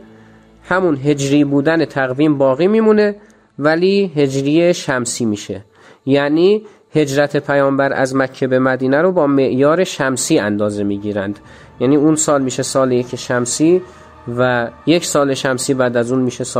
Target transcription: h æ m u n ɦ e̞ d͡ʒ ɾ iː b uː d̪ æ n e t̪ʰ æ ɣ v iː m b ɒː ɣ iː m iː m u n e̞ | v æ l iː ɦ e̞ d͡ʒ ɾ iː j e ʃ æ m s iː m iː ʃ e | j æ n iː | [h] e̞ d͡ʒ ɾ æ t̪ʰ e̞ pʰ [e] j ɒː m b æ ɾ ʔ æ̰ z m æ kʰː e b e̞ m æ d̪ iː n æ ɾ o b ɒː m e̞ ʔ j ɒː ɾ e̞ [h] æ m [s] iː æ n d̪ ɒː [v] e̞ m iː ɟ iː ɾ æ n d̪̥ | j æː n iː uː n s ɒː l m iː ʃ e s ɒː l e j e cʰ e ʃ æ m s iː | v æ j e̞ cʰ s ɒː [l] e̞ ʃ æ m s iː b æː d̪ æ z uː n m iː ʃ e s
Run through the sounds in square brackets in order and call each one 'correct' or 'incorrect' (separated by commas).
correct, incorrect, incorrect, correct, incorrect, correct